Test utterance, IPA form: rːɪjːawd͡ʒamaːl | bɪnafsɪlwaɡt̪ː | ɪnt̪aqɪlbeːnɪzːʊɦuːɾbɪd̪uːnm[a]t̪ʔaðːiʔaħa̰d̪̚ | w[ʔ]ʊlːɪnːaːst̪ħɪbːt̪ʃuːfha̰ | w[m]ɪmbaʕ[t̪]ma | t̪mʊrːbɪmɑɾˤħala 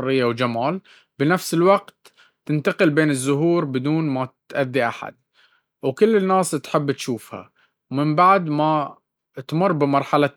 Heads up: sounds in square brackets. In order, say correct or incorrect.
correct, incorrect: k, correct, incorrect: d̪

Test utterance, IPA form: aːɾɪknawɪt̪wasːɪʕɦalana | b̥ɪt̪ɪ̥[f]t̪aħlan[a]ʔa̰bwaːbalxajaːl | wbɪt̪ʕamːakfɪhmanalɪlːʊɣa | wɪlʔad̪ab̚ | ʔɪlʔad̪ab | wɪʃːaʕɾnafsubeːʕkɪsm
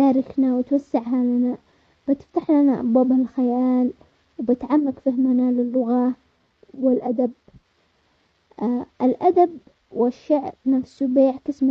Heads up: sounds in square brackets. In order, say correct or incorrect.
correct, correct

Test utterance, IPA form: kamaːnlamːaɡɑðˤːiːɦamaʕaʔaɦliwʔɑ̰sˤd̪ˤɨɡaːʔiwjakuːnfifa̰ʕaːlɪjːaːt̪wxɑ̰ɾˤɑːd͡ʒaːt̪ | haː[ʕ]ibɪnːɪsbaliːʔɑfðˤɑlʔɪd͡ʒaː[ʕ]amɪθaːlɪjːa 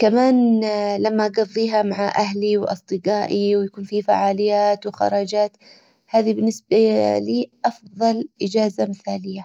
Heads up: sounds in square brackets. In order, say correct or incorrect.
incorrect: ð, incorrect: z

